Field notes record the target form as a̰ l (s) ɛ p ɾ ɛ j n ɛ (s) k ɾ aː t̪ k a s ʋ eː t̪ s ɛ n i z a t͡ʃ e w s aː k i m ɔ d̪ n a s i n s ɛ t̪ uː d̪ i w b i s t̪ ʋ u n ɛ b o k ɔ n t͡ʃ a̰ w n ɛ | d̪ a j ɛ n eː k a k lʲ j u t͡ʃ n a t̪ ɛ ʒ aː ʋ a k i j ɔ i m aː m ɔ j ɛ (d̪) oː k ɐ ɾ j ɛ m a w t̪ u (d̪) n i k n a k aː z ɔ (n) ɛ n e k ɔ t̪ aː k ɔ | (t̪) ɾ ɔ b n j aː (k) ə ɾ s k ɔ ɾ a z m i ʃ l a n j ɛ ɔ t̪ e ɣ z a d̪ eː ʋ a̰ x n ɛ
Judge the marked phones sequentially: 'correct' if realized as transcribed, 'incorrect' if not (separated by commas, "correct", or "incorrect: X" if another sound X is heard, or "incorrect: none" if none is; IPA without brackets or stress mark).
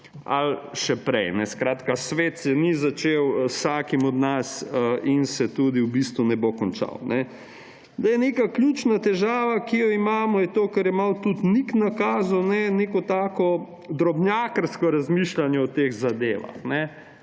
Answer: incorrect: ʃ, correct, incorrect: t̪, incorrect: t̪, correct, incorrect: d̪, correct